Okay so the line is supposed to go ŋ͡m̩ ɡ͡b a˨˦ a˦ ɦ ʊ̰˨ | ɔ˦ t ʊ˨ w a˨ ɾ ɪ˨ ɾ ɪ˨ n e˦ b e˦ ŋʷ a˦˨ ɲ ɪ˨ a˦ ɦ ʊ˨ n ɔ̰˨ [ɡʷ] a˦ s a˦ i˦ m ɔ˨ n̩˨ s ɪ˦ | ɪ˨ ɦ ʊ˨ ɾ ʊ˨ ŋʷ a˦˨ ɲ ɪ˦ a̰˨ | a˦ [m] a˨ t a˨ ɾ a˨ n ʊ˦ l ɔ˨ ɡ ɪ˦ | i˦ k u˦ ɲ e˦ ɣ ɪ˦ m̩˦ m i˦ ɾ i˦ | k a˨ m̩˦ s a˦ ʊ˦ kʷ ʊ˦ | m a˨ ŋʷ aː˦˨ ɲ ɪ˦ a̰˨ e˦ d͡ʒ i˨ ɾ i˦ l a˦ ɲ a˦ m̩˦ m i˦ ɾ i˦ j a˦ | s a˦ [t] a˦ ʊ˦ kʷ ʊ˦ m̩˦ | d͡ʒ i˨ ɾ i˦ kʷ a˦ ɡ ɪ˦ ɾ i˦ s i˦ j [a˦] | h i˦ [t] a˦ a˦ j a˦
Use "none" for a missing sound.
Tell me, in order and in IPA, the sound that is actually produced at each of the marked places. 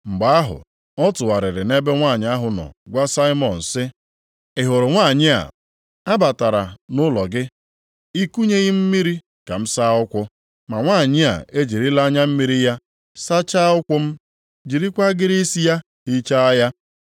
ɡʷ, b, t͡ʃ, a˦, t͡ʃ

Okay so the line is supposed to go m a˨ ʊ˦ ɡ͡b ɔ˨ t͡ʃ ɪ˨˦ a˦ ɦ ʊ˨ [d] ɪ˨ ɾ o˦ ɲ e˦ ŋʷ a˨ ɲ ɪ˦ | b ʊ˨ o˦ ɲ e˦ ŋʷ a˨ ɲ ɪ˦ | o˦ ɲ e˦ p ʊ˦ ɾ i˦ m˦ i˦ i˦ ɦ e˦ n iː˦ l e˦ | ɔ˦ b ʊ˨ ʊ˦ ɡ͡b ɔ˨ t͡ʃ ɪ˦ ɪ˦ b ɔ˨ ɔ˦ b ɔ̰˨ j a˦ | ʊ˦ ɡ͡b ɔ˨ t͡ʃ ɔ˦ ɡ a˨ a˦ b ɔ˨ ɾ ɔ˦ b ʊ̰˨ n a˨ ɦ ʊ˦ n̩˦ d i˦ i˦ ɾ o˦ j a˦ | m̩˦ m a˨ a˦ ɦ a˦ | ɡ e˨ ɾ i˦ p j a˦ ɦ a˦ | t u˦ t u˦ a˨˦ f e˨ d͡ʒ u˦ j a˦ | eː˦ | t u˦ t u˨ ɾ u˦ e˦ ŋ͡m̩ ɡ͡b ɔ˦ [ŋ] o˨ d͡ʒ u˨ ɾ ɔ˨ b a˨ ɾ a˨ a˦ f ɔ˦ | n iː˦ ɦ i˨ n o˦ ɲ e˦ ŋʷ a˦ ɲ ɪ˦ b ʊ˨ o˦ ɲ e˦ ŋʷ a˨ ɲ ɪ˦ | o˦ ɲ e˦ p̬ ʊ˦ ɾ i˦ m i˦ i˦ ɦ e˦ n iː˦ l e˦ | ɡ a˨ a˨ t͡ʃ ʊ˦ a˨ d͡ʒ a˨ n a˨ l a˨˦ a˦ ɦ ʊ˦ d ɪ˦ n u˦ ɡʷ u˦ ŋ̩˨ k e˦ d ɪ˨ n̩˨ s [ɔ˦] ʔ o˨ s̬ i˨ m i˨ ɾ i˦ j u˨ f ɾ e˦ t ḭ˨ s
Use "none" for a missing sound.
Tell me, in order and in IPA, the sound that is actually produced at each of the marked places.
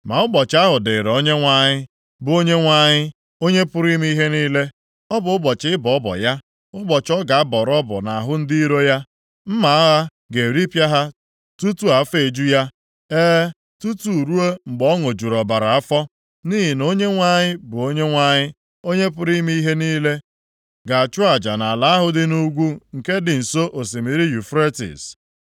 d, ŋ, o˦

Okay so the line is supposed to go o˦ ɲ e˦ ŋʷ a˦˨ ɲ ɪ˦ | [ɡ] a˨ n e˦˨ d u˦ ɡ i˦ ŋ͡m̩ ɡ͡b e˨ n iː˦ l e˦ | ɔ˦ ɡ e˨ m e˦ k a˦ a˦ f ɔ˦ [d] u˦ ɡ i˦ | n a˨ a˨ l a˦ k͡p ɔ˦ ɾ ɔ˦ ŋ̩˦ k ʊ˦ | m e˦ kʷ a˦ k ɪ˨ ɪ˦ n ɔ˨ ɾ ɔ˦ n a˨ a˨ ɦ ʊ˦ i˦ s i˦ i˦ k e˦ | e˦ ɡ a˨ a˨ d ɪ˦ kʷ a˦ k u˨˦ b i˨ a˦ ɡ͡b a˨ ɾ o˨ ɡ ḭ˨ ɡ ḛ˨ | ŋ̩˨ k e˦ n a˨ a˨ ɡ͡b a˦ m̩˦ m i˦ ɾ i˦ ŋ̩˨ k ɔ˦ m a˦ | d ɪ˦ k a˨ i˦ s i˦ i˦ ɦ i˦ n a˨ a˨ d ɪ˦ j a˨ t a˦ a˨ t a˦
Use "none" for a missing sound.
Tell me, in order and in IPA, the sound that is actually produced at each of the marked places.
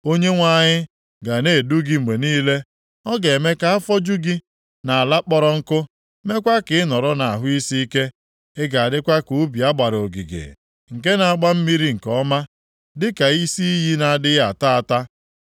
ɡ, d͡ʒ

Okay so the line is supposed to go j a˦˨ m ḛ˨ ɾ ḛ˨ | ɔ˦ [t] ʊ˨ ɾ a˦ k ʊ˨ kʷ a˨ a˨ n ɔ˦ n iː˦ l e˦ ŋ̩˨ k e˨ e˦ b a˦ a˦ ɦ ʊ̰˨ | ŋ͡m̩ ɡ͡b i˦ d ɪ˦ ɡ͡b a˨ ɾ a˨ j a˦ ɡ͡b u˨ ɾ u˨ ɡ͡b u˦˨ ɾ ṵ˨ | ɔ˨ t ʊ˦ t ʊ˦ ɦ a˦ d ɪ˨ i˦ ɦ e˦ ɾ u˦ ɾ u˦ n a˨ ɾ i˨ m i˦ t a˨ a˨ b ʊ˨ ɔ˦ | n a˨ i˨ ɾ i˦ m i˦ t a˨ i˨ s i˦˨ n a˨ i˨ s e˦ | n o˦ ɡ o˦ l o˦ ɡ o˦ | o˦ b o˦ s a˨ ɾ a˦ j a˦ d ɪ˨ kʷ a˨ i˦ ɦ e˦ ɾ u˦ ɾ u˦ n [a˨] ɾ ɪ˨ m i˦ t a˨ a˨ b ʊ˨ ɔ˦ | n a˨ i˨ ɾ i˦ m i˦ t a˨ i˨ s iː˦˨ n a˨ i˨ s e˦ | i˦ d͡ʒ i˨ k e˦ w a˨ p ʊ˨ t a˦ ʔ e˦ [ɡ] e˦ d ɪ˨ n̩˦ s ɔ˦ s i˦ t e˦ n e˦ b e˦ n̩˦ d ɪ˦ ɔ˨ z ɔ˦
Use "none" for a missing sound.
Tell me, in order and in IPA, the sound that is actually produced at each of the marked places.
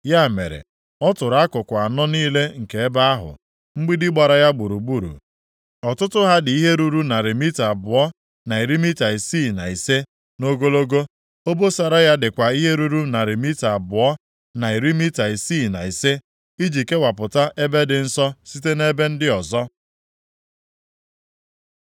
t, a˨, b

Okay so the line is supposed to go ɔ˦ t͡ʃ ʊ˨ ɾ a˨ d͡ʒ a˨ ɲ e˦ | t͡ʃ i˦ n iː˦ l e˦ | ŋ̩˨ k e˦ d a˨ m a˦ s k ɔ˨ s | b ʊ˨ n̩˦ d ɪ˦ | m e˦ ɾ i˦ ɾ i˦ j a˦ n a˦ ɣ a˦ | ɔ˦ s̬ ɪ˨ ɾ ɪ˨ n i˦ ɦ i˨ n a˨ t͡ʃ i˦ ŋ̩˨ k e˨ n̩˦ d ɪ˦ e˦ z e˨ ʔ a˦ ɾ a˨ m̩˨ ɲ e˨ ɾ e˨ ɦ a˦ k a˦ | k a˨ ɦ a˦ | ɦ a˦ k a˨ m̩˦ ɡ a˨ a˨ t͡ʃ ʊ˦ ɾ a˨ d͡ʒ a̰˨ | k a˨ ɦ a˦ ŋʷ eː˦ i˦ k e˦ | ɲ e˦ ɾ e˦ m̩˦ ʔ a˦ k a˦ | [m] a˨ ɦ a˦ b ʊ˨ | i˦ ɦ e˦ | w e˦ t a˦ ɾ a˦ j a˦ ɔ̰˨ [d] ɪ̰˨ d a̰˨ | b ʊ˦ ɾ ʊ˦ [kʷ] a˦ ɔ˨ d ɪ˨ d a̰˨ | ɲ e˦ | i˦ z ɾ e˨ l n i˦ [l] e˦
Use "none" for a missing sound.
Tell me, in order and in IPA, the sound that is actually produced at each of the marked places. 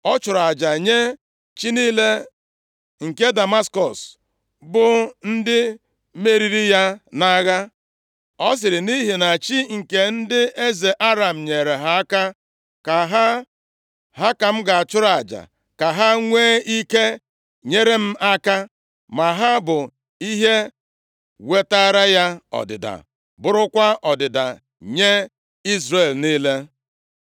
m, d, kʷ, l

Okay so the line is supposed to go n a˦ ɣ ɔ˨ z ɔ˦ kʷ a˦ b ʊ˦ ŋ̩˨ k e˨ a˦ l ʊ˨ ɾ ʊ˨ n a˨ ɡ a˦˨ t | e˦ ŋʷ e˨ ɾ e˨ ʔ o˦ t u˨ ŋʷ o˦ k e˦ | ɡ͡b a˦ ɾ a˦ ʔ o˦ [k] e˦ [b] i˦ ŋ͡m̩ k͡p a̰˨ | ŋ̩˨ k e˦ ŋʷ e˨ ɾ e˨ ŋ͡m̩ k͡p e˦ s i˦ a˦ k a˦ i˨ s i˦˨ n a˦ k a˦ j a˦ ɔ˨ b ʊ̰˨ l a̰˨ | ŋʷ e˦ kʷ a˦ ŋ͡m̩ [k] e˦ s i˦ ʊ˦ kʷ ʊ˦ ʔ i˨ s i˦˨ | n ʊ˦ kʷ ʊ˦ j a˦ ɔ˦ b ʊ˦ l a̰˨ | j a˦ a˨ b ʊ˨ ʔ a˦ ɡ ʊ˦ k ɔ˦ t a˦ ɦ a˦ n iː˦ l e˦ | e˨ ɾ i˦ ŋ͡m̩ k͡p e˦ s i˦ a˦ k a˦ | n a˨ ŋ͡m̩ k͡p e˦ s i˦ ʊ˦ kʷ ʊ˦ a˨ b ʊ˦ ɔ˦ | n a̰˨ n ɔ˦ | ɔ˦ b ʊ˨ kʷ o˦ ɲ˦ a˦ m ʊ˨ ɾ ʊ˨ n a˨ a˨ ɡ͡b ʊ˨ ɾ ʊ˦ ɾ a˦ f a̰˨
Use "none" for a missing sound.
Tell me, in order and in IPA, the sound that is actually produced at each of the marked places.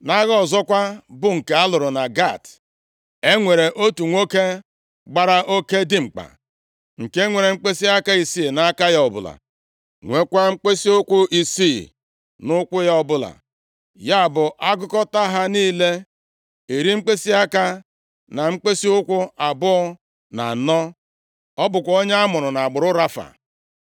k, d, k͡p

